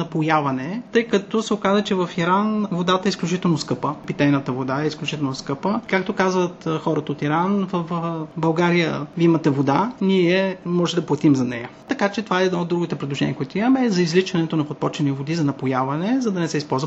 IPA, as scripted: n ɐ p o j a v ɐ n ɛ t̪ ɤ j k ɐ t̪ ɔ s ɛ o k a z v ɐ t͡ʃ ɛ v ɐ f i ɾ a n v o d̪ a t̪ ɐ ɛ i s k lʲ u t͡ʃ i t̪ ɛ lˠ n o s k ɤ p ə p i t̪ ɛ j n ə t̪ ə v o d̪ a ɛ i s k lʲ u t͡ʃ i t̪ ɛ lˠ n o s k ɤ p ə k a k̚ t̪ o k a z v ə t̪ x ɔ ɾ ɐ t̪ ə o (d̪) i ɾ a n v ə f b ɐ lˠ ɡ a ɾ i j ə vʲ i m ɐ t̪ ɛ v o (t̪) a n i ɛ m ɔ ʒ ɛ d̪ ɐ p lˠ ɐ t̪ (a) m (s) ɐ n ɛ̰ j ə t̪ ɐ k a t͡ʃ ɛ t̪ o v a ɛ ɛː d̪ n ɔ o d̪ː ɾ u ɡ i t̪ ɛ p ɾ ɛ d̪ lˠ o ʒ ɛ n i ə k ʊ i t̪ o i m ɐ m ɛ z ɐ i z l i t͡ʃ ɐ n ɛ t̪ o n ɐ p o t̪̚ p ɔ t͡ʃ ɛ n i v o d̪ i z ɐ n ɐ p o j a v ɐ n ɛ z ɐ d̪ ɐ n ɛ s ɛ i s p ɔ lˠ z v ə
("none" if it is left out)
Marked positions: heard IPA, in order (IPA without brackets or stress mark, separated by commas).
t̪, d̪, i, z